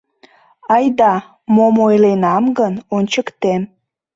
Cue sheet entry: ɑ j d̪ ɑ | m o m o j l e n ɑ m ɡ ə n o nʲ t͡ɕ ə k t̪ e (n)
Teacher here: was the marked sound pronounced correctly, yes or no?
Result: no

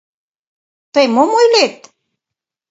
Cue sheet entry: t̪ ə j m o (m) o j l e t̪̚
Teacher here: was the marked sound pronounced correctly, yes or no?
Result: yes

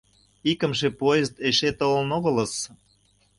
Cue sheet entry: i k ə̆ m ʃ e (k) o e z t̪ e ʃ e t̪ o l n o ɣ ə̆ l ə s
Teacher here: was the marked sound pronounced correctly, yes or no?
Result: no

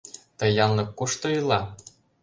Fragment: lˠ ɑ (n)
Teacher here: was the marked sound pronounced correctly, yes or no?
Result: no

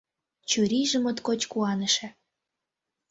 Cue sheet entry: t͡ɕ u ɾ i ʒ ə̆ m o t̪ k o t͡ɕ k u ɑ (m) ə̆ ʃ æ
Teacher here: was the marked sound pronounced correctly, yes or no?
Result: no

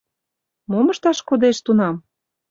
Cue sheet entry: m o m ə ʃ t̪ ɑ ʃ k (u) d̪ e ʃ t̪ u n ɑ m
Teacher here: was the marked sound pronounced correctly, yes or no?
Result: no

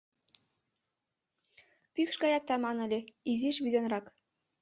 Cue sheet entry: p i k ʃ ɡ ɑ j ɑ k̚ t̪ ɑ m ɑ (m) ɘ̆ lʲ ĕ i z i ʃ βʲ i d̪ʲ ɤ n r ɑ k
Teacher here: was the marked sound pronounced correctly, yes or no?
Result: no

